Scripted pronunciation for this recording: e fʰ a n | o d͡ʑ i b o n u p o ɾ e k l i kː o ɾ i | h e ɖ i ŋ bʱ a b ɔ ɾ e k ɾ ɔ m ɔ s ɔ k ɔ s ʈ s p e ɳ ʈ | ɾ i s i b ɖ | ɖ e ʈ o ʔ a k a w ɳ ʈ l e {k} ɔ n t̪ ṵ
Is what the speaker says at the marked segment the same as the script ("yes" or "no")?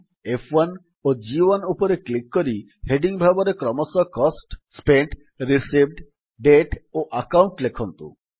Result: no